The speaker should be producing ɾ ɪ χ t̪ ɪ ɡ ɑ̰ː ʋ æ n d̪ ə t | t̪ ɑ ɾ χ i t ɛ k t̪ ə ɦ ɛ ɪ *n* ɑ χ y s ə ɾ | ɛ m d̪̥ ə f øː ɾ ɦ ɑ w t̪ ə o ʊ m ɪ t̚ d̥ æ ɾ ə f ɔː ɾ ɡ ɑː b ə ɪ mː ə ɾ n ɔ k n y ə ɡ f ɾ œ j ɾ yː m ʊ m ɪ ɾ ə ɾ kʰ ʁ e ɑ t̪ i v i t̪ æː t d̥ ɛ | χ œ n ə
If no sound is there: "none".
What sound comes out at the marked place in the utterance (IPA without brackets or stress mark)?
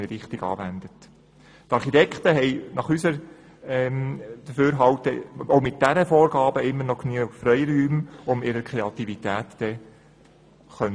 n